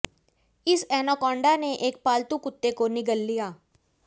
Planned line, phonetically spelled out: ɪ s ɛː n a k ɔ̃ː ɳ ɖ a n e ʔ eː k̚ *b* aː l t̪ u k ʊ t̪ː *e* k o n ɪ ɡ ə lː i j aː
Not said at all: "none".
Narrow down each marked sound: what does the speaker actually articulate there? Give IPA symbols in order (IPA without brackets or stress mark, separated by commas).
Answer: p, e